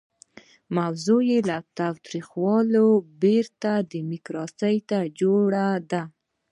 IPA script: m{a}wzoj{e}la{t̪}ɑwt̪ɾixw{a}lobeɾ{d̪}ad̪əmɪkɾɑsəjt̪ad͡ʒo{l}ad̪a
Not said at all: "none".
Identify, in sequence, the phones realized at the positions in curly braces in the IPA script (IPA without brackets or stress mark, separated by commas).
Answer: a, e, t̪, ɑ, t̪, ɽ